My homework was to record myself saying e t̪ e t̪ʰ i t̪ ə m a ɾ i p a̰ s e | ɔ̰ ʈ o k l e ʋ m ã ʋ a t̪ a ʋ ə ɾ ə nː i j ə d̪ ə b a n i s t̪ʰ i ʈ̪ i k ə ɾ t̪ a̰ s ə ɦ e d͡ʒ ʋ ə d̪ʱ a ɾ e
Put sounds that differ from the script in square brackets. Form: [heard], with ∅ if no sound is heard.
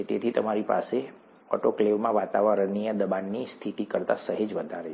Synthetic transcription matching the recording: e t̪ e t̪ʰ i t̪ ə m a ɾ i p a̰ s e | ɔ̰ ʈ o k l e ʋ m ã ʋ a t̪ a ʋ ə ɾ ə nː i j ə d̪ ə b a [nː] i s t̪ʰ i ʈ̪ i k ə ɾ t̪ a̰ s ə ɦ e d͡ʒ ʋ ə d̪ʱ a ɾ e